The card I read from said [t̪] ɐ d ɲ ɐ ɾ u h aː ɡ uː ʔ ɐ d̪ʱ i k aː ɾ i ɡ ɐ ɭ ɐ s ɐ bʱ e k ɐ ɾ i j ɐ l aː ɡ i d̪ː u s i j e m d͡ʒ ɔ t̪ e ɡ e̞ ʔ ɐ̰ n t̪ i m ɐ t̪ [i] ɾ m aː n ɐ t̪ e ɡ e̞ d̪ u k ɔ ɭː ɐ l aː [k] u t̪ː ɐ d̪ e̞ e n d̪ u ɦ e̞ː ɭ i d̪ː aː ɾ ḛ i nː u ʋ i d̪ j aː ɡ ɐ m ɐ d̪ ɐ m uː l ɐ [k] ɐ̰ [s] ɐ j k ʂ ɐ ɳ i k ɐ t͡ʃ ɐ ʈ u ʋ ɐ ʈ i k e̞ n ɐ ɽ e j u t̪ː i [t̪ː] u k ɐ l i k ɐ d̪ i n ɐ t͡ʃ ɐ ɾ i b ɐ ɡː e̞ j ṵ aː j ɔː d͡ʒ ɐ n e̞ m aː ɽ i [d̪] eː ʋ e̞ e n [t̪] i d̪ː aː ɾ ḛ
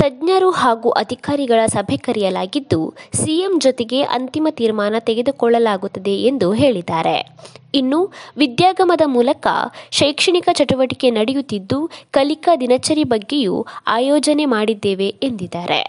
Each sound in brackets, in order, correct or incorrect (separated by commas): correct, incorrect, incorrect, correct, incorrect, incorrect, incorrect, incorrect